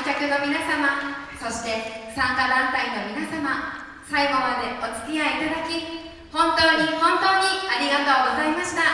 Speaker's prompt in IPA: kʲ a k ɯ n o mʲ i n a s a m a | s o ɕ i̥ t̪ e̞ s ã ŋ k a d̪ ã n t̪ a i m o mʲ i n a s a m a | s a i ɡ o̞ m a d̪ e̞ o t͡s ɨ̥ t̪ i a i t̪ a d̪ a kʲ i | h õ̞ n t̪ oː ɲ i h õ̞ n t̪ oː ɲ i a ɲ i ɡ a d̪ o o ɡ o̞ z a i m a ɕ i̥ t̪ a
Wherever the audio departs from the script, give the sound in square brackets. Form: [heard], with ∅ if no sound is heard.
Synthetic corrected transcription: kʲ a k ɯ n o mʲ i n a s a m a | s o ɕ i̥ t̪ e̞ s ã ŋ k a d̪ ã n t̪ a i [n] o mʲ i n a s a m a | s a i ɡ o̞ m a d̪ e̞ o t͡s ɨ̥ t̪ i a i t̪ a d̪ a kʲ i | h õ̞ n t̪ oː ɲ i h õ̞ n t̪ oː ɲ i a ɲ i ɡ a [t̪] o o ɡ o̞ z a i m a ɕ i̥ t̪ a